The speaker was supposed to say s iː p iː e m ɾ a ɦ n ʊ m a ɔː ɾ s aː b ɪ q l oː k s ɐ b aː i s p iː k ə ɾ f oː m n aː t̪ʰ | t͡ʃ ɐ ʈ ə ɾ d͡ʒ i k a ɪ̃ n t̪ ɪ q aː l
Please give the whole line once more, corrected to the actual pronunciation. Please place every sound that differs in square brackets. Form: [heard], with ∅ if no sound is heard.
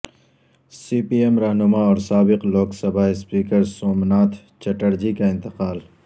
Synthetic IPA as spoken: s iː p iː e m ɾ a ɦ n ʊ m a ɔː ɾ s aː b ɪ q l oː k s ɐ b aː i s p iː k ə ɾ [s] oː m n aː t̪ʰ | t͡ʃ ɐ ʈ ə ɾ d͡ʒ i k a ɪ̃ n t̪ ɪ q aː l